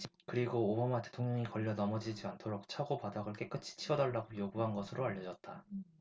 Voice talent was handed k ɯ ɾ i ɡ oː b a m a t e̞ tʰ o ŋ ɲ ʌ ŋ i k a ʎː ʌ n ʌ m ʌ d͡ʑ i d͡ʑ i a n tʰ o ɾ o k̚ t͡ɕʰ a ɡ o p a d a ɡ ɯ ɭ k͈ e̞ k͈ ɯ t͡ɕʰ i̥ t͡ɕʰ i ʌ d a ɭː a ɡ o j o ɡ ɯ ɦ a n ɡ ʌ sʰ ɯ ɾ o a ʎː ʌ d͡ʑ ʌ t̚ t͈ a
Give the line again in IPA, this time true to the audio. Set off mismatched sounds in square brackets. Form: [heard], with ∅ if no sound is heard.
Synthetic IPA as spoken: k ɯ ɾ i ɡ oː b a m a t e̞ tʰ o ŋ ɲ ʌ ŋ i k [ʌ] ʎː ʌ n ʌ m ʌ d͡ʑ i d͡ʑ i a n tʰ o ɾ o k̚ t͡ɕʰ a ɡ o p a d a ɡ ɯ ɭ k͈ e̞ k͈ ɯ t͡ɕʰ i̥ t͡ɕʰ i ʌ d a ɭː a ɡ o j o ɡ [u] ɦ a n ɡ ʌ sʰ ɯ ɾ o a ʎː ʌ d͡ʑ ʌ t̚ t͈ a